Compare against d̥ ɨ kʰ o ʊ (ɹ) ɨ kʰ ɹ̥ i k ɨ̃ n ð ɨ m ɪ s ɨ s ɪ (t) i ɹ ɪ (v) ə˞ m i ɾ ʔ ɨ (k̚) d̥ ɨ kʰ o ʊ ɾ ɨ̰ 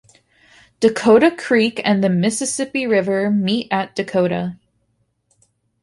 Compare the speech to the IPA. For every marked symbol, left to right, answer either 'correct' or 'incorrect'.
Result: incorrect: ɾ, incorrect: p, correct, incorrect: t̚

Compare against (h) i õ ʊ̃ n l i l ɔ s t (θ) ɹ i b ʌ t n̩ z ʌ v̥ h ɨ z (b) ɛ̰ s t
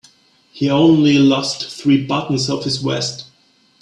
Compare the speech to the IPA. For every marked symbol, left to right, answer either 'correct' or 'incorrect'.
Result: correct, correct, incorrect: w

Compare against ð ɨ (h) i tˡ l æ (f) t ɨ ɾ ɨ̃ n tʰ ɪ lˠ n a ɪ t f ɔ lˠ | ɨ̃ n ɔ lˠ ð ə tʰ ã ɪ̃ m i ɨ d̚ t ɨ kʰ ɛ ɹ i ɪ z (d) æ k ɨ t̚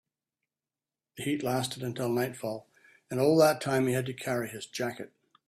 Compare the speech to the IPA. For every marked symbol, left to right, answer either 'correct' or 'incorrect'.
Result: correct, incorrect: s, incorrect: d͡ʒ

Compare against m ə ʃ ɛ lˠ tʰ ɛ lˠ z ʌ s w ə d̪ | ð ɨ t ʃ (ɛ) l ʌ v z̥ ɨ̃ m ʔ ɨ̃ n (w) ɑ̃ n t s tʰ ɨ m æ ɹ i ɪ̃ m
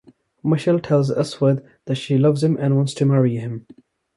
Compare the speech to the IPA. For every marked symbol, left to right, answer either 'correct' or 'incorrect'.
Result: incorrect: i, correct

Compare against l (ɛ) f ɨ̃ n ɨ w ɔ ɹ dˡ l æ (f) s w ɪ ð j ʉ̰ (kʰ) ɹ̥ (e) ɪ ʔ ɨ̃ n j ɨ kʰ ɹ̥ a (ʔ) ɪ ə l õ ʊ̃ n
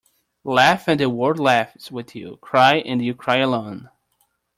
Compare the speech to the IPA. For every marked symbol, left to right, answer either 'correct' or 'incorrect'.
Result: incorrect: æ, correct, correct, incorrect: a, incorrect: none

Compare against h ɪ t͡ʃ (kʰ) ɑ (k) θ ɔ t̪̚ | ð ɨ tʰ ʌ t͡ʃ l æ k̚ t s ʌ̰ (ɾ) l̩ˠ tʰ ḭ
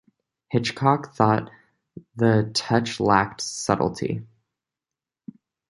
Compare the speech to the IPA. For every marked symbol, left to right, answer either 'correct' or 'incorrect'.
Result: correct, correct, correct

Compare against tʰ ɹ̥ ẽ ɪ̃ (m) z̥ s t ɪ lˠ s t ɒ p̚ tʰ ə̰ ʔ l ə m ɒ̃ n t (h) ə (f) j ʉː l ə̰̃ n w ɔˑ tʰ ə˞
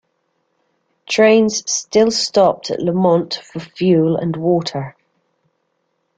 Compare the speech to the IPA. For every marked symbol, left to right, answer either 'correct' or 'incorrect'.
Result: incorrect: n, incorrect: f, correct

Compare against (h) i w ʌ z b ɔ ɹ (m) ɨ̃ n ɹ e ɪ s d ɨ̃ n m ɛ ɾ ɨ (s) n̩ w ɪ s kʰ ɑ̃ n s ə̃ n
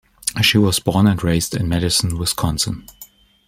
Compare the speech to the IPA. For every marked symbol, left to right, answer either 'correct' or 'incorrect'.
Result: incorrect: ʃ, incorrect: n, correct

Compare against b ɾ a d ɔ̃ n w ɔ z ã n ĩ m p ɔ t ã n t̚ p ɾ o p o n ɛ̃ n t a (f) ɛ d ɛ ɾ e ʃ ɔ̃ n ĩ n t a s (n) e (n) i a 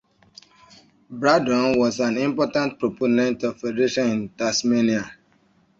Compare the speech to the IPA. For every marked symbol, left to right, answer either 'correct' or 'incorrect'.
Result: correct, incorrect: m, correct

